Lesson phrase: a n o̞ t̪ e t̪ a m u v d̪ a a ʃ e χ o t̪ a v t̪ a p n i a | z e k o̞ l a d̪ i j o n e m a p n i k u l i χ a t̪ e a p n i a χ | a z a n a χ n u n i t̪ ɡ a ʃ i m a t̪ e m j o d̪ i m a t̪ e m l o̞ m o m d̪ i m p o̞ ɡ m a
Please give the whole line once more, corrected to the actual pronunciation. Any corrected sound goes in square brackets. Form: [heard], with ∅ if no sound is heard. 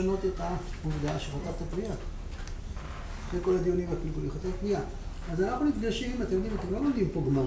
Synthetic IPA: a n o̞ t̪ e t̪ a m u v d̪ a a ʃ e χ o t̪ a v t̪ a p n i a | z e k o̞ l a d̪ i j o n [i] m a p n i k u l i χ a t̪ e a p n i a [∅] | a z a n a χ n u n i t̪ ɡ a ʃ i m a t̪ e m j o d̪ i m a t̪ e m l o̞ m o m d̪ i m p o̞ ɡ m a